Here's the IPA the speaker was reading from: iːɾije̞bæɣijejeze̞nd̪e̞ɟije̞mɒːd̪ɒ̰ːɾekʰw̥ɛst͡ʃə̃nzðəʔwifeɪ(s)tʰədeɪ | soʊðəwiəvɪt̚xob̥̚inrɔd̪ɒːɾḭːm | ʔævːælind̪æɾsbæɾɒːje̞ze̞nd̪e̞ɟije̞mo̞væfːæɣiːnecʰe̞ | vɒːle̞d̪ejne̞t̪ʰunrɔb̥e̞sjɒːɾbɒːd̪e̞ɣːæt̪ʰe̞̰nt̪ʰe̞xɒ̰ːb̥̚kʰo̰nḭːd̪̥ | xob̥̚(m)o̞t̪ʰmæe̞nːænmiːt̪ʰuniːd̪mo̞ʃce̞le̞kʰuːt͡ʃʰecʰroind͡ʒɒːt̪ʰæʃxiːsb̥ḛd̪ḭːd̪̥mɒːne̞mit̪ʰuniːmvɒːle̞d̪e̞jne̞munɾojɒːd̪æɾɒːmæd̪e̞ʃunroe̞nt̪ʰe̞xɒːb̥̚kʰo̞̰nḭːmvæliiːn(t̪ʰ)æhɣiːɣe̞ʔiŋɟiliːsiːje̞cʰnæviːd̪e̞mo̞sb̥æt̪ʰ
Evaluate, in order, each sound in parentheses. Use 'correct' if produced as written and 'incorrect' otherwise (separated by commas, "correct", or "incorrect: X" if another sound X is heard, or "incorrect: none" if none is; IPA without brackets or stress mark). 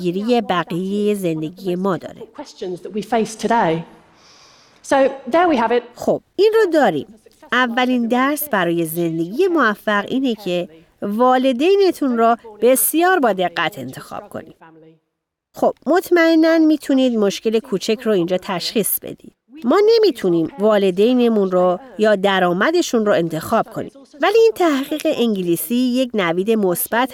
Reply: correct, correct, correct